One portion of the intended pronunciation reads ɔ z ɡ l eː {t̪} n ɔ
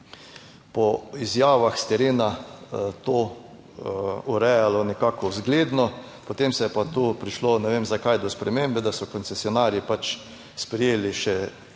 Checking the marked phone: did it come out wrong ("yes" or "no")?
yes